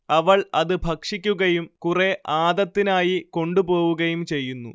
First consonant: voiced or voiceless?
voiced